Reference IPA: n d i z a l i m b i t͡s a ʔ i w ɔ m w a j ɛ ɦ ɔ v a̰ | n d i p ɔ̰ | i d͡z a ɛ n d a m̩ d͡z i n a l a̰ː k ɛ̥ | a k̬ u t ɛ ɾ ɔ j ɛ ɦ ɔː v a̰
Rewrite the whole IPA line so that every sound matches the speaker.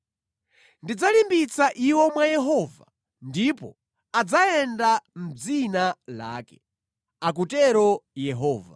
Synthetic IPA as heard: n d i d͡z a l i m b i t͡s a ʔ i w ɔ m w a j ɛ ɦ ɔ v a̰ | n d i p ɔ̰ | a d͡z a ɛ n d a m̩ d͡z i n a l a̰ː k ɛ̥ | a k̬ u t ɛ ɾ ɔ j ɛ ɦ ɔː v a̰